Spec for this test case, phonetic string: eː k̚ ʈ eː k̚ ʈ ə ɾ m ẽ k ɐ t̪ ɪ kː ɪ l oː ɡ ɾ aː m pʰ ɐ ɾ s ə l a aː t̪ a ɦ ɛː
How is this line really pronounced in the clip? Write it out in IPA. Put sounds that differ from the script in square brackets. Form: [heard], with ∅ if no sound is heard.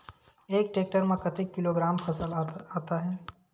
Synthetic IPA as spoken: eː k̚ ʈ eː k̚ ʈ ə ɾ m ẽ k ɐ t̪ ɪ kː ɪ l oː ɡ ɾ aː m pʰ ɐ [∅] s ə l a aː t̪ a ɦ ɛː